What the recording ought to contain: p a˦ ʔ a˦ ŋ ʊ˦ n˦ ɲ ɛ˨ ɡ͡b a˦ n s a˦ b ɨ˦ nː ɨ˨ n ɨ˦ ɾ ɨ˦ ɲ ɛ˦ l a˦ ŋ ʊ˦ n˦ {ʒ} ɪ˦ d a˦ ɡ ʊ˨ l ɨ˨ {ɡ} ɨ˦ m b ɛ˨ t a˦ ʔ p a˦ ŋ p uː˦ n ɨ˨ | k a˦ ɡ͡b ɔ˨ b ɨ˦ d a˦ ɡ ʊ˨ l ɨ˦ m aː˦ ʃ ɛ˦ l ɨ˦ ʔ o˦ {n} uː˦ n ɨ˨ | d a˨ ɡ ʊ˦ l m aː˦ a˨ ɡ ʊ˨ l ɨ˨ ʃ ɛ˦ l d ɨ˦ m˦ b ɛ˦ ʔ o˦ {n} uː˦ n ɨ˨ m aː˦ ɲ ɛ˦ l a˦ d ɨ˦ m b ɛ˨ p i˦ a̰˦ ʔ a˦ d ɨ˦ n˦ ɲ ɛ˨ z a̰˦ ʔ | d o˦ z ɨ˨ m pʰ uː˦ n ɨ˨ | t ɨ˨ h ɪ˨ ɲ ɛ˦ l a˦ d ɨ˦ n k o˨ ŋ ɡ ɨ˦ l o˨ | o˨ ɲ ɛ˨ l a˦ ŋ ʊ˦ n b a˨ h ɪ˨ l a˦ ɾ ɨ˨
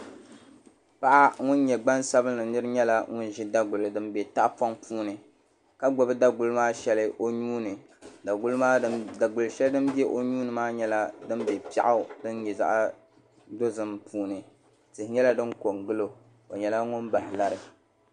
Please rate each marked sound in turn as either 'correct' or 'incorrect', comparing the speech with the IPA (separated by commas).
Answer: correct, incorrect, incorrect, incorrect